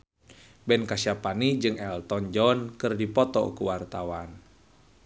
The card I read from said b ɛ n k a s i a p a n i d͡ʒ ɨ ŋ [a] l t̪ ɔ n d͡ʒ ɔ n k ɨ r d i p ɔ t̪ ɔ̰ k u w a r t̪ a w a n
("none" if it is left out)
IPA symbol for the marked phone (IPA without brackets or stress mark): ɛ